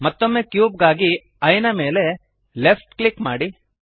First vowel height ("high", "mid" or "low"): low